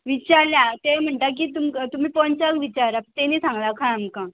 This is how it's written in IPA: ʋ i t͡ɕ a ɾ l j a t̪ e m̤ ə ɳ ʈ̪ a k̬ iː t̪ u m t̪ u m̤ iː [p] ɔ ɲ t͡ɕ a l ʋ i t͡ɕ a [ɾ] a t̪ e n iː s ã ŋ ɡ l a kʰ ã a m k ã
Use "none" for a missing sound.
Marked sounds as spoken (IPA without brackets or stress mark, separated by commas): p, ɾ